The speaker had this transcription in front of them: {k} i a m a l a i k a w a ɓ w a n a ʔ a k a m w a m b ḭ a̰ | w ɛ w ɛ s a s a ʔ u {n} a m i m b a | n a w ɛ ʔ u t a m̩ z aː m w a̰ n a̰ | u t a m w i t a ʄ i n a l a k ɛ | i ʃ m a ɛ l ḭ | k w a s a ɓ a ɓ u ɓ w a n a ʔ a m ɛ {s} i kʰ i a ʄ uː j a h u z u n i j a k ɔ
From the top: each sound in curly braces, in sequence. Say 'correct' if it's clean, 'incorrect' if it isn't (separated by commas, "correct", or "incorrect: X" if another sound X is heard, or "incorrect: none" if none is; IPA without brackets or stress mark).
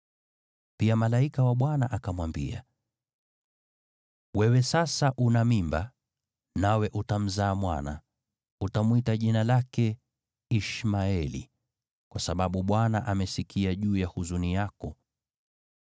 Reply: incorrect: p, correct, correct